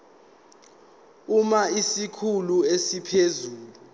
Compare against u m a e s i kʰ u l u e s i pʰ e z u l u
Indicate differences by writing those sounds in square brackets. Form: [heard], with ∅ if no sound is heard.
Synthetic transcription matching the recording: u m a [i] s i kʰ u l u e s i pʰ e z [uː] l u